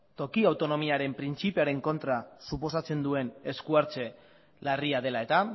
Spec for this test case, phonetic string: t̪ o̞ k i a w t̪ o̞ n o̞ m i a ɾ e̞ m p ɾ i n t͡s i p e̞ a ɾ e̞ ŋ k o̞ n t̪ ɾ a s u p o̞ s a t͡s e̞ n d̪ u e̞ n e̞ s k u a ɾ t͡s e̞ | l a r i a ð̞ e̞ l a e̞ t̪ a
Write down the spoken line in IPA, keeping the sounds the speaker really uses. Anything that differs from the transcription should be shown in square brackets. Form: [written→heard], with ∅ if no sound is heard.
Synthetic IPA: t̪ o̞ k i a w t̪ o̞ n o̞ m i a ɾ e̞ m p ɾ i n t͡s i p e̞ a ɾ e̞ ŋ k o̞ n t̪ ɾ a s u p o̞ s a t͡s e̞ n d̪ u e̞ n e̞ s k u a ɾ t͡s e̞ | l a r i a ð̞ e̞ l a e̞ t̪ a